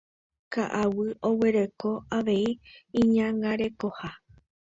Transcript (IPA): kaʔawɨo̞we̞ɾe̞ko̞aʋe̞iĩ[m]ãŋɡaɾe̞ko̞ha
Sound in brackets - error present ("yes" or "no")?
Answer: yes